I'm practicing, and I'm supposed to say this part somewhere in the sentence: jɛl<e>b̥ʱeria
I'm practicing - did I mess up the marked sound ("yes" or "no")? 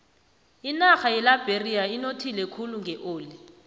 yes